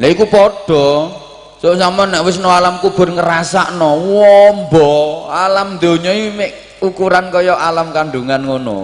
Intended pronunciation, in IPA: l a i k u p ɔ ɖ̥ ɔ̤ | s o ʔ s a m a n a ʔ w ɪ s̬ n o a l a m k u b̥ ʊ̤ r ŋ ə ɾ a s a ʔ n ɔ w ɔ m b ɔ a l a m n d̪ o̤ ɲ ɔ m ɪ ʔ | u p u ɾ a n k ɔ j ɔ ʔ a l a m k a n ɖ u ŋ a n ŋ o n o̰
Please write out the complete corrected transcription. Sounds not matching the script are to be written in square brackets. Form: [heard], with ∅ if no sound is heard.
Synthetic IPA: l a i k u p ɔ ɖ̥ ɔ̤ | s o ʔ s a m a n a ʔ w ɪ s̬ n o a l a m k u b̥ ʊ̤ r ŋ ə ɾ a s a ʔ n ɔ w ɔ m b ɔ a l a m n d̪ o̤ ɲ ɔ m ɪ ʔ | u [k] u ɾ a n k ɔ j ɔ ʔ a l a m k a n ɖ u ŋ a n ŋ o n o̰